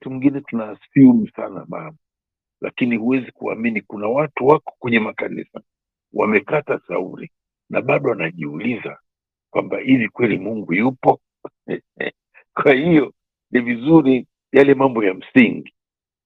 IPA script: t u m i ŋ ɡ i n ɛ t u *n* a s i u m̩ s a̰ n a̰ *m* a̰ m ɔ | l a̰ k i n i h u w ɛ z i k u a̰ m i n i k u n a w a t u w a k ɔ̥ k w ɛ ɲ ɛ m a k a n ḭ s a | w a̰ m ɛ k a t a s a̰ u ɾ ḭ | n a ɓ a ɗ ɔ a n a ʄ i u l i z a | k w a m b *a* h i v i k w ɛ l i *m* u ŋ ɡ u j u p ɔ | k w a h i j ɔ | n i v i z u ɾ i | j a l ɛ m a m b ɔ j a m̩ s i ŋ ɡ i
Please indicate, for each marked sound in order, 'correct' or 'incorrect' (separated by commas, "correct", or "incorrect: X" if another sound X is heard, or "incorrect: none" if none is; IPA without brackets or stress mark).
correct, correct, correct, correct